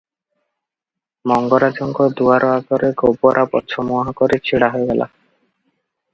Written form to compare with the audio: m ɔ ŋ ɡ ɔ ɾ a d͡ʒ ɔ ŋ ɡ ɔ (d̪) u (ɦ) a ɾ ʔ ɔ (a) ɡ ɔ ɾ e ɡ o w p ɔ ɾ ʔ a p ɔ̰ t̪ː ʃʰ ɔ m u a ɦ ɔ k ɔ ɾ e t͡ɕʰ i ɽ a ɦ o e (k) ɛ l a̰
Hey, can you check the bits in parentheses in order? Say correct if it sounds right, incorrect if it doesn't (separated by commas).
correct, incorrect, correct, incorrect